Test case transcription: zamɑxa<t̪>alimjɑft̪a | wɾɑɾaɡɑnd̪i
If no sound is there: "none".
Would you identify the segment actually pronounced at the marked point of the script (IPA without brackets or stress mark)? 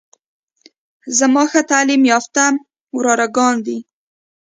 t̪